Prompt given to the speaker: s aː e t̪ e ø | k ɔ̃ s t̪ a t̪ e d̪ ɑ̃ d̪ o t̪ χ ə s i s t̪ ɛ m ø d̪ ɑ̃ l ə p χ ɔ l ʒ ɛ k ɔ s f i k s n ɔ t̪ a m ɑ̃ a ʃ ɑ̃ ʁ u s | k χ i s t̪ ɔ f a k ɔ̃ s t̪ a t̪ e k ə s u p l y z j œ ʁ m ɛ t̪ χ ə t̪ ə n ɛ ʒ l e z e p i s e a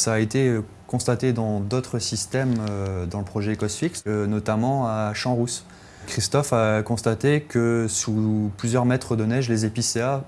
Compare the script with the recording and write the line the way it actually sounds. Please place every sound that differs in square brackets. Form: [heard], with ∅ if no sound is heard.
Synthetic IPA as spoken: s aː e t̪ e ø | k ɔ̃ s t̪ a t̪ e d̪ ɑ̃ d̪ o t̪ χ ə s i s t̪ ɛ m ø d̪ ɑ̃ l ə p χ ɔ [∅] ʒ ɛ k ɔ s f i k s n ɔ t̪ a m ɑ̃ a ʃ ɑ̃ ʁ u s | k χ i s t̪ ɔ f a k ɔ̃ s t̪ a t̪ e k ə s u p l y z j œ ʁ m ɛ t̪ χ ə [d̪] ə n ɛ ʒ l e z e p i s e a